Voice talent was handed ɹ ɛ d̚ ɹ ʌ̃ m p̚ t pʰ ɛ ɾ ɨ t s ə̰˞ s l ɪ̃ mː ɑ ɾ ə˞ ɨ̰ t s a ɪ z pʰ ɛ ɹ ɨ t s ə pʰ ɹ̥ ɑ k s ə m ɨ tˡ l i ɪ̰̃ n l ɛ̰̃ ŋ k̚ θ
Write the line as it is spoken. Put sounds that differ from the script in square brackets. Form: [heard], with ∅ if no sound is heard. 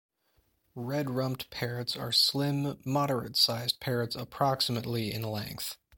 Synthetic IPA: ɹ ɛ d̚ ɹ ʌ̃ m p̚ t pʰ ɛ [ɹ] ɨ t s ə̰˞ s l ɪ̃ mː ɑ ɾ ə˞ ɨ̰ t s a ɪ z pʰ ɛ ɹ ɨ t s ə pʰ ɹ̥ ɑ k s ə m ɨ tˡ l i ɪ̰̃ n l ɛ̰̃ ŋ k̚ θ